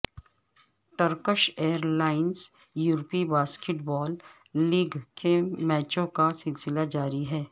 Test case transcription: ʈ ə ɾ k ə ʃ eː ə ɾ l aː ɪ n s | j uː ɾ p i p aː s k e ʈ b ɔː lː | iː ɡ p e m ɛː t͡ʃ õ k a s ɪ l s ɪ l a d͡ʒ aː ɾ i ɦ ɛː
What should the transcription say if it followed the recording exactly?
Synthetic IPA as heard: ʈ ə ɾ k ə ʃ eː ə ɾ l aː ɪ n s | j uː ɾ p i b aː s k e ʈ b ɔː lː | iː ɡ k e m ɛː t͡ʃ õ k a s ɪ l s ɪ l a d͡ʒ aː ɾ i ɦ ɛː